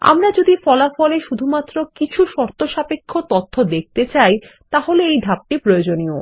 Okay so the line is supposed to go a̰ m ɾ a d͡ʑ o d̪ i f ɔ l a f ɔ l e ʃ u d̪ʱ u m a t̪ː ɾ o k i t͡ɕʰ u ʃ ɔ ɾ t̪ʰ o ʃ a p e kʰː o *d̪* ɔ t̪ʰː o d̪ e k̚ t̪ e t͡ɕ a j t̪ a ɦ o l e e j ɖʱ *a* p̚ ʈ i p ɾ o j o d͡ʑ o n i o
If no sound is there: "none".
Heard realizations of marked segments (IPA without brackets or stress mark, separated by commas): t̪, a